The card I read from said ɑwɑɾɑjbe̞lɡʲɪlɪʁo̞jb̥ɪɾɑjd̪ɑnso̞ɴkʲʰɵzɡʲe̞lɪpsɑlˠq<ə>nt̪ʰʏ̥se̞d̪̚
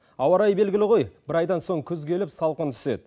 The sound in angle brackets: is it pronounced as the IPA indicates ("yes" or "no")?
yes